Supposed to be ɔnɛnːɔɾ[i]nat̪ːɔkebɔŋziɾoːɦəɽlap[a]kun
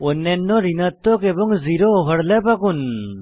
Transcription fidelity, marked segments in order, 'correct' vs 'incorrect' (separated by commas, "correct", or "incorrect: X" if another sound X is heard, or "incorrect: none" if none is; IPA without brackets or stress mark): correct, correct